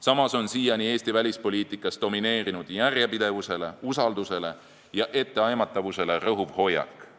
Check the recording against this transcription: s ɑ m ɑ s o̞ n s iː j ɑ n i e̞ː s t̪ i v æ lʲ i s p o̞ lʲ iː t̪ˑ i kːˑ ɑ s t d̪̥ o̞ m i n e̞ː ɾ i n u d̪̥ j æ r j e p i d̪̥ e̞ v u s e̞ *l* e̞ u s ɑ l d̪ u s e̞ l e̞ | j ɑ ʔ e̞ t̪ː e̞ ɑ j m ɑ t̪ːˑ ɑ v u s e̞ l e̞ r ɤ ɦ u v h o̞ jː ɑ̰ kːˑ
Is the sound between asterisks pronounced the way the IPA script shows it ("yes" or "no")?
yes